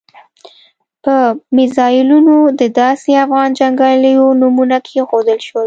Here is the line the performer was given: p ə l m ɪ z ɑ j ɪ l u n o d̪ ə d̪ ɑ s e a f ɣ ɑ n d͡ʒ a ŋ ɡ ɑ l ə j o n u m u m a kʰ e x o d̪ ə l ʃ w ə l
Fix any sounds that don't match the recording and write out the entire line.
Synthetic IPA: p ə m ɪ z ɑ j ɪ l u n o d̪ ə d̪ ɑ s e a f ɣ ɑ n d͡ʒ a ŋ ɡ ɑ l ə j o n u m u n a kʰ e x o d̪ ə l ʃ w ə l